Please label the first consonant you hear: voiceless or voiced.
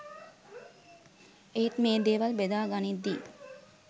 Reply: voiceless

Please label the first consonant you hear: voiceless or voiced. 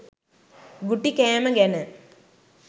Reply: voiced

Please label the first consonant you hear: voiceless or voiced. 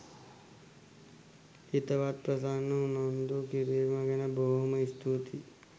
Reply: voiceless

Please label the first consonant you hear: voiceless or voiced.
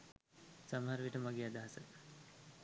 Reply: voiceless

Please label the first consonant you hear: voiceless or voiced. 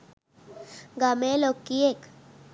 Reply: voiced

